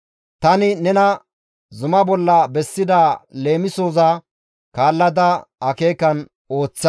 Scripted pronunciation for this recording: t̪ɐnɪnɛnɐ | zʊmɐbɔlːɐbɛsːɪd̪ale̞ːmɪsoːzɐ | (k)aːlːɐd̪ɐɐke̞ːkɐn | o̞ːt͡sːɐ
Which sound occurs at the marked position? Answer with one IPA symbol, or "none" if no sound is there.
k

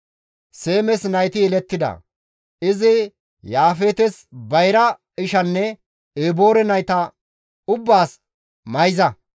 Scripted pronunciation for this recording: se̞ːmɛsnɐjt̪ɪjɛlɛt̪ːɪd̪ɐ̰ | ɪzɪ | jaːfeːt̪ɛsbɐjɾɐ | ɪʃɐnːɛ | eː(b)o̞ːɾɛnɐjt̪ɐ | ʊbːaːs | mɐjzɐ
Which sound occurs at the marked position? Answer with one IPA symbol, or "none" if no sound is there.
b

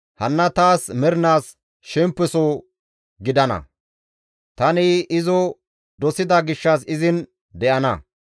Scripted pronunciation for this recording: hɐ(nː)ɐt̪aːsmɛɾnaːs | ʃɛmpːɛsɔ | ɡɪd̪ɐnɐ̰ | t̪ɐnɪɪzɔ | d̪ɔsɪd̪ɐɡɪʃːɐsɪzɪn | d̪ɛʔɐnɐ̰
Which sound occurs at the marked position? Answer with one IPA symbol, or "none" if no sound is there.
nː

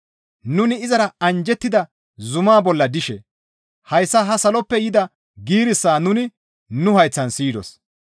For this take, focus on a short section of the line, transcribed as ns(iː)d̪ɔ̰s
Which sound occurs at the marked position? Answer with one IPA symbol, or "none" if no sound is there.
iː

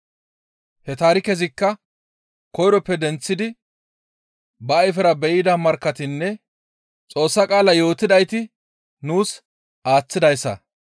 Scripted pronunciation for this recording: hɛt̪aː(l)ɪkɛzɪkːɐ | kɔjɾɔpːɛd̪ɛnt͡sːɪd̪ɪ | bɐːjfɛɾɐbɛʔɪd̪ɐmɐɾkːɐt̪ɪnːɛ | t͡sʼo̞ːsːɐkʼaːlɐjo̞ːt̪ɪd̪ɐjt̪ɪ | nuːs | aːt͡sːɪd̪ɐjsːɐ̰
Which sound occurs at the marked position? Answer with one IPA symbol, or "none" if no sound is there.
ɾ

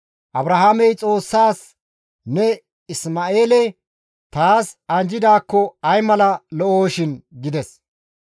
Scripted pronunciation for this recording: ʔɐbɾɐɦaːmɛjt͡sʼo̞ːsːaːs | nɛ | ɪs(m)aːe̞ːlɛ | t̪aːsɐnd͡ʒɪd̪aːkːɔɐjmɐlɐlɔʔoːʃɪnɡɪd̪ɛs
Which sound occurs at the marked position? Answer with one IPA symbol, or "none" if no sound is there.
m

